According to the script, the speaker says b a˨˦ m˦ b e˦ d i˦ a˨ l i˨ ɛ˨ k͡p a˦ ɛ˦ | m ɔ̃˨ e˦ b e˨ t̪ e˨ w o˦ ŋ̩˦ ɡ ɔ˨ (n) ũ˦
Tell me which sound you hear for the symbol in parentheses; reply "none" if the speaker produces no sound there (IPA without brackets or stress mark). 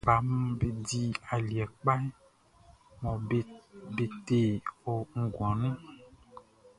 n